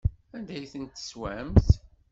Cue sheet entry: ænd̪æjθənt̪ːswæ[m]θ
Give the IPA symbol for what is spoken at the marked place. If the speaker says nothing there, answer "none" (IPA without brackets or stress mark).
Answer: m